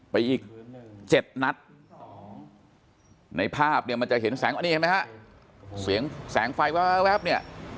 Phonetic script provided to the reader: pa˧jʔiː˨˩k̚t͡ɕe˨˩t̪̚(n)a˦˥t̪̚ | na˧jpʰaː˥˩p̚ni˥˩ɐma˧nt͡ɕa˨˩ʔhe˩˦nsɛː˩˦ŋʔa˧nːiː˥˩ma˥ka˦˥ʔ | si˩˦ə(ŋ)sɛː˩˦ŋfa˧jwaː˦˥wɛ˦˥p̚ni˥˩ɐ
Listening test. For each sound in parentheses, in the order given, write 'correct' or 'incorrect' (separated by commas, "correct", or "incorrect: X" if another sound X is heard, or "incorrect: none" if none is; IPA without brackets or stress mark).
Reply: correct, correct